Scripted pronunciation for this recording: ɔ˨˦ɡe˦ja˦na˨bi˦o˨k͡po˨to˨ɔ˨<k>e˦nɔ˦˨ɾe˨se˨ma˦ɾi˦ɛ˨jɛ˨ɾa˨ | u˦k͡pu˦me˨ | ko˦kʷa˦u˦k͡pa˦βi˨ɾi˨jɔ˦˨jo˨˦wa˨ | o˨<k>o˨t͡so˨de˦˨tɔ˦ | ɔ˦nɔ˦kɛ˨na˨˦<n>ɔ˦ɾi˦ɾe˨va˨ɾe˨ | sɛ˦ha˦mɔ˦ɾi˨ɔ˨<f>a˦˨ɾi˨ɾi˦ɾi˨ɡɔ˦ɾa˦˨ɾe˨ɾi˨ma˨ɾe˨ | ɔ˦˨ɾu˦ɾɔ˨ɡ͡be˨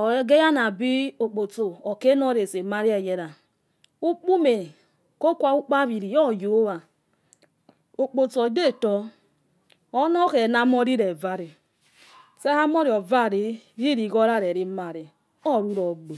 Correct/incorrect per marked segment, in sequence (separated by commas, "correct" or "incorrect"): correct, incorrect, incorrect, incorrect